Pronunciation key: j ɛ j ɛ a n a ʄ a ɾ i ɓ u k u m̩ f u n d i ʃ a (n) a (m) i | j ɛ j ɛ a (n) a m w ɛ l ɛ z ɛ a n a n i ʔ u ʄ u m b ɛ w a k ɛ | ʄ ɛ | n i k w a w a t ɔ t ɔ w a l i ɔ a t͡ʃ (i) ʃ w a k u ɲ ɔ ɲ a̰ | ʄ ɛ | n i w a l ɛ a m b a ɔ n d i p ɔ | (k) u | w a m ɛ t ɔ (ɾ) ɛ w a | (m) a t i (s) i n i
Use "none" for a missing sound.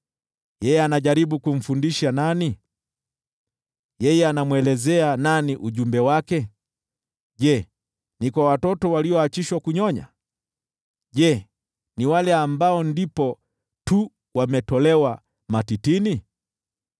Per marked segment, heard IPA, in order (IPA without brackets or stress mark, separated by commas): n, n, n, i, t, l, m, t